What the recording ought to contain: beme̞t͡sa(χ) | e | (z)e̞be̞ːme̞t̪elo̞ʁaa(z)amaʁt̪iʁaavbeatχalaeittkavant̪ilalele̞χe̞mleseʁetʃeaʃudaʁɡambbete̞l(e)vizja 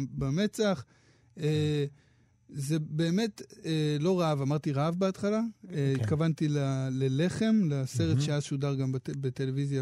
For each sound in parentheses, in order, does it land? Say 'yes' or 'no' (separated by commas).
yes, yes, no, yes